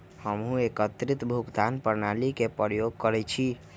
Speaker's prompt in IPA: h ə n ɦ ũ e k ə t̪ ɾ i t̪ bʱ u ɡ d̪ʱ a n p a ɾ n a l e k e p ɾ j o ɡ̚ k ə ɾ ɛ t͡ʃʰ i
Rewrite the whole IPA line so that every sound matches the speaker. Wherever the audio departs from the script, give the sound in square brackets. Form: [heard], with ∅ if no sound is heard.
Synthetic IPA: h ə [m] ɦ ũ e k ə t̪ ɾ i t̪ bʱ u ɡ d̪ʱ a n p [ə] ɾ n a l [i] k e p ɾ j o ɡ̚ k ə ɾ ɛ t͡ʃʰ i